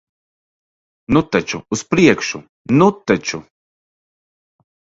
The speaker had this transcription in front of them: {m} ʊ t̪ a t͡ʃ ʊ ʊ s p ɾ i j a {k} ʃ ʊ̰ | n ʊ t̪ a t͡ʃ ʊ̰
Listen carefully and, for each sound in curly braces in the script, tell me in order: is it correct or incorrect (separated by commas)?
incorrect, correct